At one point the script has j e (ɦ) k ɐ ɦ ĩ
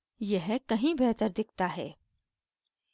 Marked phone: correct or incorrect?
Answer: correct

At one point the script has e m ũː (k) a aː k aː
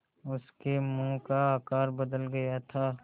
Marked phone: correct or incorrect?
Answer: correct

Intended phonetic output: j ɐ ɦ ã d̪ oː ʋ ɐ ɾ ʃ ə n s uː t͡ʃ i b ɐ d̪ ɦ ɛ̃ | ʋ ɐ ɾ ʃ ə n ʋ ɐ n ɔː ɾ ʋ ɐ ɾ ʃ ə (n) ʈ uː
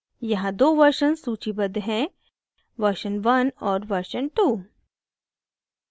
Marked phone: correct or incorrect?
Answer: correct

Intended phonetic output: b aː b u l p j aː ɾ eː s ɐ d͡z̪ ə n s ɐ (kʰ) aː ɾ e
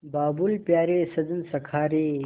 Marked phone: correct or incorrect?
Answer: correct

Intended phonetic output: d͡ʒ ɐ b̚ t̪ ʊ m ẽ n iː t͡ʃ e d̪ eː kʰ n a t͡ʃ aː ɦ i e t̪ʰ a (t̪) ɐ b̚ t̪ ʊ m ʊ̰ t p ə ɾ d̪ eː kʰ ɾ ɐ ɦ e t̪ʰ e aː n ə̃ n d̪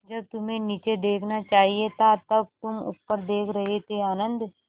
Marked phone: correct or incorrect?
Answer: correct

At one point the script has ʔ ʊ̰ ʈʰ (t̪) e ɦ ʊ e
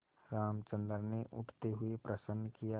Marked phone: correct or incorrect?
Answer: correct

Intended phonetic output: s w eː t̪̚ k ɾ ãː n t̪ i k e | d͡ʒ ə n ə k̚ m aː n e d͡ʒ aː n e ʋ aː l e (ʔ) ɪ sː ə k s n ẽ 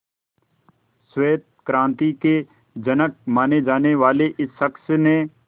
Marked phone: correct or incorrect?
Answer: correct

